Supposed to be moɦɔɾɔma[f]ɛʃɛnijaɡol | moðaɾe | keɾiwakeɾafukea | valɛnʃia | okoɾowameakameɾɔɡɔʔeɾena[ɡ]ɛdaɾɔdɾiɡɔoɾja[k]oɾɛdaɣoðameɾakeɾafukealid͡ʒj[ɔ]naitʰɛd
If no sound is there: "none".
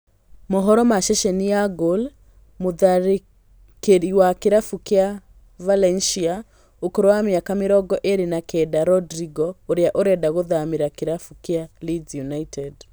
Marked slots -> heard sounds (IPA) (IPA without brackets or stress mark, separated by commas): ʃ, k, ʔ, u